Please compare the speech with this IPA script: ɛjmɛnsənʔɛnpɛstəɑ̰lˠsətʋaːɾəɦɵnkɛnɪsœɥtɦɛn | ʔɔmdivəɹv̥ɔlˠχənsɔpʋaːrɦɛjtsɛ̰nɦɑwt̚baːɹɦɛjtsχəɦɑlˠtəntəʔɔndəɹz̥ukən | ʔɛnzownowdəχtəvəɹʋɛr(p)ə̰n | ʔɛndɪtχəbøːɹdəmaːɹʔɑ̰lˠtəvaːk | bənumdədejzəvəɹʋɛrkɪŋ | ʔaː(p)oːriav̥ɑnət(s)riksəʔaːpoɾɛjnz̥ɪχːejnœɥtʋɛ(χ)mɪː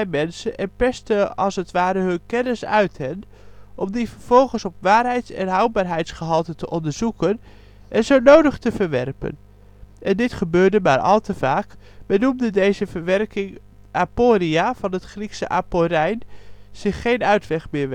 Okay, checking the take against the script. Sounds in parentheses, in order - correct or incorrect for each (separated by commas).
correct, correct, incorrect, correct